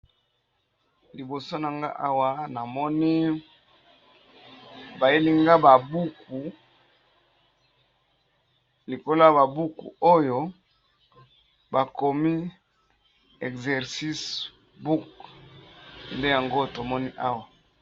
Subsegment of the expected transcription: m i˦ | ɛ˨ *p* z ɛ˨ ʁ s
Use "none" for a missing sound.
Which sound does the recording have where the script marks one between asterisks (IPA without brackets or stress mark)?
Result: k